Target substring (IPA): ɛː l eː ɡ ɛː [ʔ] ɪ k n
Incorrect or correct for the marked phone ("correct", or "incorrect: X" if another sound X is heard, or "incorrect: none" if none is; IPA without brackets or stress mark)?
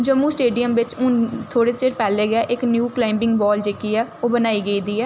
correct